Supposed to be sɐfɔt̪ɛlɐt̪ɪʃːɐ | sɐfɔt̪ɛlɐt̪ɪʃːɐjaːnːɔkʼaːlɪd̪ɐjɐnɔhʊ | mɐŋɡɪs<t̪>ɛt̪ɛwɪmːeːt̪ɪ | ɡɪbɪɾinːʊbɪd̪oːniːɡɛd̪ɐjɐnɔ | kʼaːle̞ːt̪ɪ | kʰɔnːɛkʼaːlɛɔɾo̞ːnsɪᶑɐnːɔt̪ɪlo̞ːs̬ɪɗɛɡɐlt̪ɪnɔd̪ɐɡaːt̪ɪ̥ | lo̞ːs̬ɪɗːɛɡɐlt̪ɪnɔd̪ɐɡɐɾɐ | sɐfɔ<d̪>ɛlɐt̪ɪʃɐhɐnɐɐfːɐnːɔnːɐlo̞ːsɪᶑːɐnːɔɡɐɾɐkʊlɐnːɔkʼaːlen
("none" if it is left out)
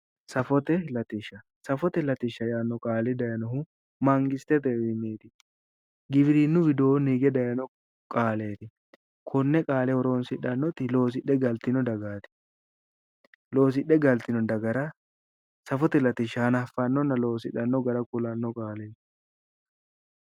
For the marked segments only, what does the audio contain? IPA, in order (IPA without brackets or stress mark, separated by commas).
t̪, t̪